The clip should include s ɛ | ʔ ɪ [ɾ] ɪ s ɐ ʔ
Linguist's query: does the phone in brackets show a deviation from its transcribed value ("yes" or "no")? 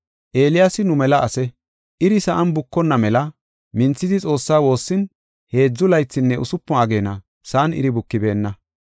no